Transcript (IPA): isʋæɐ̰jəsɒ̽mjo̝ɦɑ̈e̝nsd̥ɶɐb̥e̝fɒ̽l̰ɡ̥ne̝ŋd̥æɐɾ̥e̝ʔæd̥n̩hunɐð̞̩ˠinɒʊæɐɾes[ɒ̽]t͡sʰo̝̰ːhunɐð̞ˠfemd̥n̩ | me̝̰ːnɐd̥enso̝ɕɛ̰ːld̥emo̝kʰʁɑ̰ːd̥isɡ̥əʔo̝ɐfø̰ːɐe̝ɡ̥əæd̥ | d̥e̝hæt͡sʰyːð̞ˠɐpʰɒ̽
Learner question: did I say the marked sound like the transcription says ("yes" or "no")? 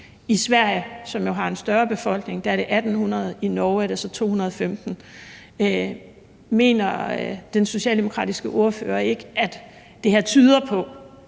yes